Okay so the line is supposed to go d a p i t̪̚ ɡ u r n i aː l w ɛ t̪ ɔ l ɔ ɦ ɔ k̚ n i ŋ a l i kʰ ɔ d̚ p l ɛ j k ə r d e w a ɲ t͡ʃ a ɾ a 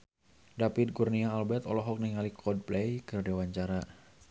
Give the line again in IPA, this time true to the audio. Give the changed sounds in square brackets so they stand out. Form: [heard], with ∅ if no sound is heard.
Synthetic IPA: d a p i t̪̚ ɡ u r n i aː l [b] ɛ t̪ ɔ l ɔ ɦ ɔ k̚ n i ŋ a l i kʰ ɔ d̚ p l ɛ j k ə r d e w a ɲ t͡ʃ a ɾ a